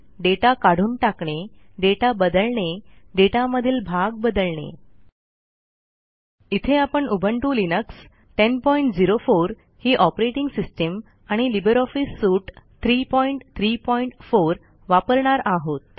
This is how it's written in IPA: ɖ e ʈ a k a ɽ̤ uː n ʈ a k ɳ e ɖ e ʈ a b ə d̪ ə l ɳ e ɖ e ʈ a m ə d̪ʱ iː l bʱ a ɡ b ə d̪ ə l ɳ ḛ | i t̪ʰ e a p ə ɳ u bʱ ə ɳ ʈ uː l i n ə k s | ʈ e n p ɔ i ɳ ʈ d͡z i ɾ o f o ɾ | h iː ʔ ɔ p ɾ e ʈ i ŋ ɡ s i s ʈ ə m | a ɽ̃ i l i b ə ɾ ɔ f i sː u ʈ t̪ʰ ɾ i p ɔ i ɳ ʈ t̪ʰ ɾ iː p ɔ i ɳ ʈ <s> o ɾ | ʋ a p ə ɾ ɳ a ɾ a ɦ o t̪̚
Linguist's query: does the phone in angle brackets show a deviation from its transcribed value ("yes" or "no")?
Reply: yes